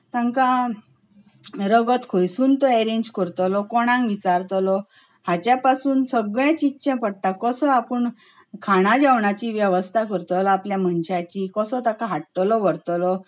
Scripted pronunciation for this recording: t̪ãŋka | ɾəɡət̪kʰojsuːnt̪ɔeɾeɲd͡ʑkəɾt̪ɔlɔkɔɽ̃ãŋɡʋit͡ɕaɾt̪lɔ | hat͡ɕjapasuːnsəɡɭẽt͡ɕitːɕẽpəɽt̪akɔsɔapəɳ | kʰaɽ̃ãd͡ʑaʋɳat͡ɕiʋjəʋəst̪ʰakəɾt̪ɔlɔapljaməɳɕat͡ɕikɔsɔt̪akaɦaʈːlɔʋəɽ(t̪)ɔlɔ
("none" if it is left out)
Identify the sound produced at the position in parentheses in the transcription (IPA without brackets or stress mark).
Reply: t̪